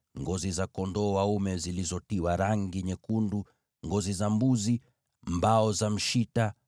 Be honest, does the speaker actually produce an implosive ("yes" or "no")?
no